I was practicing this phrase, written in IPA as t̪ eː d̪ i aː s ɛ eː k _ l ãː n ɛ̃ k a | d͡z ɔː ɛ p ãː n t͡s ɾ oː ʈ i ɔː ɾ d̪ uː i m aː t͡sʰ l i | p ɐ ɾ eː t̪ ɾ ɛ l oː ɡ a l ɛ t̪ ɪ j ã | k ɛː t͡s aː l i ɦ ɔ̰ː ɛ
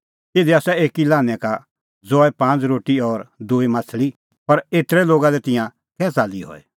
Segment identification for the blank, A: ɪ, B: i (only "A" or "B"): B